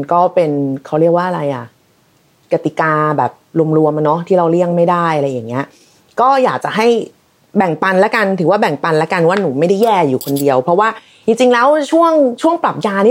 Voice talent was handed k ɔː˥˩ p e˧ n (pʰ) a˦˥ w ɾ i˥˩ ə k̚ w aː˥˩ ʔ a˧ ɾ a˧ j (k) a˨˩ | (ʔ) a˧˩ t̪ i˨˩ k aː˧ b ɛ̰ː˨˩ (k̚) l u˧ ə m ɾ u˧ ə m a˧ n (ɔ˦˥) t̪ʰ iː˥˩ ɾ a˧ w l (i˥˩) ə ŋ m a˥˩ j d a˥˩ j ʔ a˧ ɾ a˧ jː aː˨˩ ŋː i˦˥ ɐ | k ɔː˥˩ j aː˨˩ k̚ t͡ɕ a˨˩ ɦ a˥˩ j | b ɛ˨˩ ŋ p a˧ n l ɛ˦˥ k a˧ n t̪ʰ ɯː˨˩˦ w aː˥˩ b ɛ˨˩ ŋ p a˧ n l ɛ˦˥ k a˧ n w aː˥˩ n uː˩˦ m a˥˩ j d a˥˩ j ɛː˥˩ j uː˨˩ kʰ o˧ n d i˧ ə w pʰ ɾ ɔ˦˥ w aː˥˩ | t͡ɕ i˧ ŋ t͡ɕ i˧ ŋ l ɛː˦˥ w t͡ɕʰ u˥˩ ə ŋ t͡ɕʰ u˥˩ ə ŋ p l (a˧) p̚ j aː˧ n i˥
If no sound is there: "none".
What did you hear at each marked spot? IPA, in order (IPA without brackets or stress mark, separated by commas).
kʰ, ʔ, k, p̚, ɔ˦˥, i˥˩, a˨˩